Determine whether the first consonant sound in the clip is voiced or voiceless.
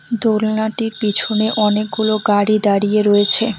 voiced